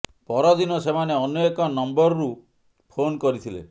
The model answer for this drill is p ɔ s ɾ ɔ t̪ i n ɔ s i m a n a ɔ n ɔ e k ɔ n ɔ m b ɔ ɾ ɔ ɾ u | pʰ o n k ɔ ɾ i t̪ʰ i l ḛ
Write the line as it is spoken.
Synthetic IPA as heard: p ɔ ɾ ɔ d̪ i n ɔ s e m a n e ɔ n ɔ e k ɔ n ɔ m b ɔ ɾ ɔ ɾ u | pʰ o n k ɔ ɾ i t̪ʰ i l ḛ